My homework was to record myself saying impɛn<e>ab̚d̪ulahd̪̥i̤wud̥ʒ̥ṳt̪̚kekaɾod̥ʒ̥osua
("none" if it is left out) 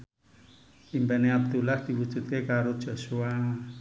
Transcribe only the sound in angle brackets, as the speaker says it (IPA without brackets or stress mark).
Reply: e